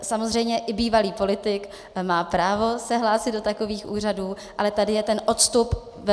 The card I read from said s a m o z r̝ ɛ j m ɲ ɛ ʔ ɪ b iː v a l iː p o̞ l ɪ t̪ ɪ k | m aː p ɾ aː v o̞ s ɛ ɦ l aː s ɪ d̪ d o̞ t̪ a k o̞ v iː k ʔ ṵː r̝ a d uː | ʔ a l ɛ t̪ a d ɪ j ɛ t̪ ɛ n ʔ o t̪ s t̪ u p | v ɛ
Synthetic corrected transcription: s a m o z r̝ ɛ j m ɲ ɛ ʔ ɪ b iː v a l iː p o̞ l ɪ t̪ ɪ k | m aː p ɾ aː v o̞ s ɛ ɦ l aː s ɪ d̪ d o̞ t̪ a k o̞ v iː x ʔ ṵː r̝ a d uː | ʔ a l ɛ t̪ a d ɪ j ɛ t̪ ɛ n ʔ o t̪ s t̪ u p | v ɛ